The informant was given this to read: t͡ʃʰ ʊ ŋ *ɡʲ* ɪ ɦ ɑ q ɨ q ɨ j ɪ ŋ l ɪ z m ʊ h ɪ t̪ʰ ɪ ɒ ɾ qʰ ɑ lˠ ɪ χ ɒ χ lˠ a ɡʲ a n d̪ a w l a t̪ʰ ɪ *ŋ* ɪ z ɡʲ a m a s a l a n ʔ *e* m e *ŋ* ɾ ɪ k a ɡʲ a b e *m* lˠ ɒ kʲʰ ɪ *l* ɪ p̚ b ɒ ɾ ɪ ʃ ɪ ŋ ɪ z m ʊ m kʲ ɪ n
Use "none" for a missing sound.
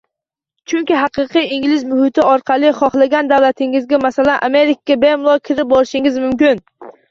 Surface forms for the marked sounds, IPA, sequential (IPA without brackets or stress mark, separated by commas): kʲ, ŋ, a, none, m, ɾ